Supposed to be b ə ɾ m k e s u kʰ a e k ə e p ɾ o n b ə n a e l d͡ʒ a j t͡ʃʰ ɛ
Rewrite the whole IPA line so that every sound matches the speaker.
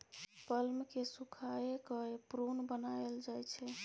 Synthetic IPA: p ə l m k e s u kʰ a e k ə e p ɾ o n b ə n a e l d͡ʒ a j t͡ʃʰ ɛ